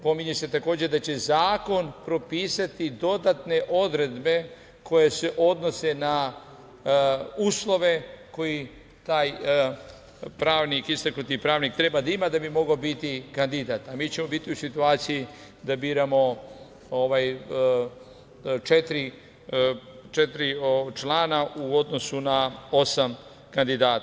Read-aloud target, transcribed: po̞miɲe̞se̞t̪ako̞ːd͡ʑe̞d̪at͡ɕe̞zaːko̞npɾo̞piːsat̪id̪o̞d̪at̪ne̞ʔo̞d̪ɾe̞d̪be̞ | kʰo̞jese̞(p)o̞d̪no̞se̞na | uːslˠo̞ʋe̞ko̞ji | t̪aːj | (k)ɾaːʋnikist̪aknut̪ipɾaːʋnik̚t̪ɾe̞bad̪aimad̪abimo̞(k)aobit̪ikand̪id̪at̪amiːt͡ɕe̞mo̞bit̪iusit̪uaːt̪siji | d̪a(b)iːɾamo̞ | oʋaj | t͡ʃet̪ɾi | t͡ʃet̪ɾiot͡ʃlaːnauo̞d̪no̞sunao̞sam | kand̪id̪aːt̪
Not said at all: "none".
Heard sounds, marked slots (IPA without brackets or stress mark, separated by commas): ʔ, p, ɡ, b